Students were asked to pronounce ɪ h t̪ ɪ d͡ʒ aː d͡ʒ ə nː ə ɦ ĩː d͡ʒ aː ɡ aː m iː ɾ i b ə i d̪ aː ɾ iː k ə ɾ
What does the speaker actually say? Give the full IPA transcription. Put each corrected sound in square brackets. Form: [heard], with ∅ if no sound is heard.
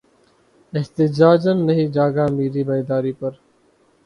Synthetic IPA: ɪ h t̪ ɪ d͡ʒ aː d͡ʒ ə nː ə ɦ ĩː d͡ʒ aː ɡ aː m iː ɾ [iː] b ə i d̪ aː ɾ iː [p] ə ɾ